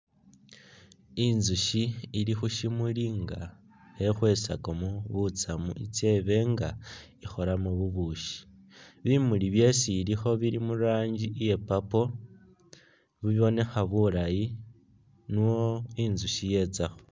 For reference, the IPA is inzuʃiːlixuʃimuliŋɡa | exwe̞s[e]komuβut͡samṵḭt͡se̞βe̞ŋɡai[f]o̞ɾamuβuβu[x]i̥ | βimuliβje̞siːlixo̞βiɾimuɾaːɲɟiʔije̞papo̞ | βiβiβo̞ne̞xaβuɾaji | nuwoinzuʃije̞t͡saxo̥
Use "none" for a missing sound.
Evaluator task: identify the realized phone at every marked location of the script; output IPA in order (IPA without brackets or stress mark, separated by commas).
a, x, ʃ